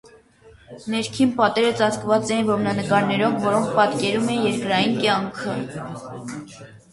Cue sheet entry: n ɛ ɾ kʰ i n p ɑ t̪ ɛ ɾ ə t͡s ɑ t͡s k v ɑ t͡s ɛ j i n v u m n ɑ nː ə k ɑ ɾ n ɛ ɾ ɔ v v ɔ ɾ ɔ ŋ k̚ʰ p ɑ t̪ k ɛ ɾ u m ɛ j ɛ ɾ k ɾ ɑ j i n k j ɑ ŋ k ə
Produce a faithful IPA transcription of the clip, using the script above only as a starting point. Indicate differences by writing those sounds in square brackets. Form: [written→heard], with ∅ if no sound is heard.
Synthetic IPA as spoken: n ɛ ɾ kʰ i n p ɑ t̪ ɛ ɾ ə t͡s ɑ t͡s k v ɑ t͡s ɛ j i n v [u→ɔ] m n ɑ [nː→n] ə k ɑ ɾ n ɛ ɾ ɔ v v ɔ ɾ ɔ ŋ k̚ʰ p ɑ t̪ k ɛ ɾ u m ɛ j ɛ ɾ k ɾ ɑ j i n k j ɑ ŋ [k→kʰ] ə